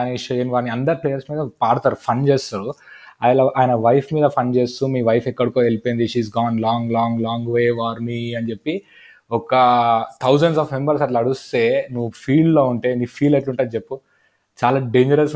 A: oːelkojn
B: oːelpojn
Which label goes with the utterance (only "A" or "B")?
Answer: B